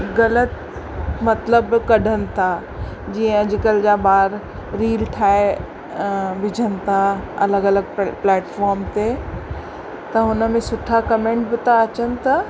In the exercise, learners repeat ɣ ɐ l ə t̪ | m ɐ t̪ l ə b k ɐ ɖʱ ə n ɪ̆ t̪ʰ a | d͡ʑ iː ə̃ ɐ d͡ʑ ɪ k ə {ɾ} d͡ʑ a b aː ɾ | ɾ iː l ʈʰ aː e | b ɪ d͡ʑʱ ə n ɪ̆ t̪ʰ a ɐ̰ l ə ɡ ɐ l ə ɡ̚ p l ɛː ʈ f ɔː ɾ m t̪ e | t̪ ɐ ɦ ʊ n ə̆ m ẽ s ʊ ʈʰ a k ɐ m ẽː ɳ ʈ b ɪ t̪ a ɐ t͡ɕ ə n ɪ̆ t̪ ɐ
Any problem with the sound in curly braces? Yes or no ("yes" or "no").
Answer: yes